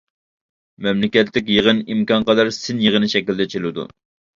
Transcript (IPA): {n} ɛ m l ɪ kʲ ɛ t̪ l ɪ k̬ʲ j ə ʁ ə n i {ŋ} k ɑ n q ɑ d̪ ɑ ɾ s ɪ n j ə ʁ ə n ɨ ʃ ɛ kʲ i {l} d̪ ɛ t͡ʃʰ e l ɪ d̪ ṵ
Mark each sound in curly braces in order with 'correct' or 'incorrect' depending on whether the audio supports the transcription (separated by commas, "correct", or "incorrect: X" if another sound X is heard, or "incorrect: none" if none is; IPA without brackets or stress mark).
incorrect: m, incorrect: m, correct